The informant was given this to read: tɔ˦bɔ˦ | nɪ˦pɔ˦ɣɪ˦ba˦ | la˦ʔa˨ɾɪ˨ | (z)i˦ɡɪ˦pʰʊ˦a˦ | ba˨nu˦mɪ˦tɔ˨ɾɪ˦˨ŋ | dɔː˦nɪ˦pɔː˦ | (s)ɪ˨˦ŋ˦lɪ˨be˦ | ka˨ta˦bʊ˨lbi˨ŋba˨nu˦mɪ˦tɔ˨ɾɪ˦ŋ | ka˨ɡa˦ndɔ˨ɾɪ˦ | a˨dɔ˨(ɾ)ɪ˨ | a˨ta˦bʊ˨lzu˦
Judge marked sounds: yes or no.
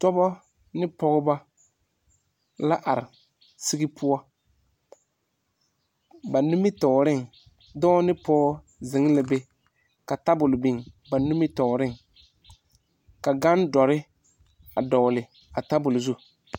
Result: no, no, no

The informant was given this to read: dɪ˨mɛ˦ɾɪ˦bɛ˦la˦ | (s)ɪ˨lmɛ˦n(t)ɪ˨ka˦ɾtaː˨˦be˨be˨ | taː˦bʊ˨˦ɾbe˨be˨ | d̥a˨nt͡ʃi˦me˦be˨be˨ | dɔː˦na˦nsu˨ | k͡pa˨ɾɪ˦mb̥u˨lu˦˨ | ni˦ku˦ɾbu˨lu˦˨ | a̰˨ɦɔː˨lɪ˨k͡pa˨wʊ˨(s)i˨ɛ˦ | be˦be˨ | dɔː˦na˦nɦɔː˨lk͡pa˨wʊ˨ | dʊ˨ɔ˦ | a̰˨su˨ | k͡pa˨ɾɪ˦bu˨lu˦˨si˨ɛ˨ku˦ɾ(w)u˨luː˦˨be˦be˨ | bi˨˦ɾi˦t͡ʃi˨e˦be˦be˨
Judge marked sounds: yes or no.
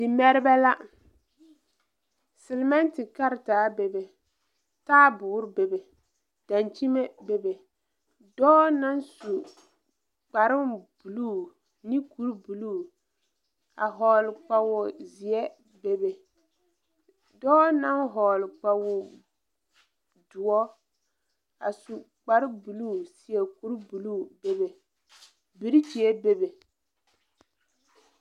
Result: yes, yes, no, no

